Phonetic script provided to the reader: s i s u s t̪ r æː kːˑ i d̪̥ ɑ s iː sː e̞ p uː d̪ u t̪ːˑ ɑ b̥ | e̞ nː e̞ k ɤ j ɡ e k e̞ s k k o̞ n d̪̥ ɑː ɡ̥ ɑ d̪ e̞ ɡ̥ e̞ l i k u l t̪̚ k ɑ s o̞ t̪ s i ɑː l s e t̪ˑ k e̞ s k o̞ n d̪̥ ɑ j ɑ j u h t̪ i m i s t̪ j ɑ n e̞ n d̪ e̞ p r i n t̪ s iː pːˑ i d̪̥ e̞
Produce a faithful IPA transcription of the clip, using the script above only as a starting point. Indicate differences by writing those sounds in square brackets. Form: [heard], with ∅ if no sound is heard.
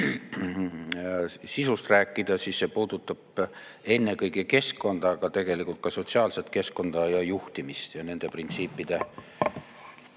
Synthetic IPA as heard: s i s u s t̪ r æː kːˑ i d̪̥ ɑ s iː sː e̞ p uː d̪ u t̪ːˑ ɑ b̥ | e̞ nː e̞ k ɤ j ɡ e k e̞ s k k o̞ n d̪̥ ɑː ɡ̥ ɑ [t̪] e̞ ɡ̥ e̞ l i k u l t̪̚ k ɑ s o̞ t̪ s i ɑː l s e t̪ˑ k e̞ s k o̞ n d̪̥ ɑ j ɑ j u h t̪ i m i s t̪ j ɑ n e̞ n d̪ e̞ p r i n t̪ s iː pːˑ i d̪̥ e̞